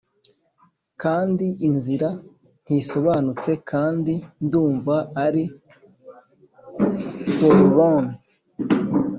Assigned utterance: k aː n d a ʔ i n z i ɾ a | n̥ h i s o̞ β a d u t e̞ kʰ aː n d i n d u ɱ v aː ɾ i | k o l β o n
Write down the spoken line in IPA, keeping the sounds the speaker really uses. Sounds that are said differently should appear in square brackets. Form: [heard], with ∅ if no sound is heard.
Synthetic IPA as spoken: k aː n d [i] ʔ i n z i ɾ a | n̥ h i s o̞ β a [n] u [t͡s] e̞ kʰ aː n d i n d [uː] ɱ v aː ɾ i | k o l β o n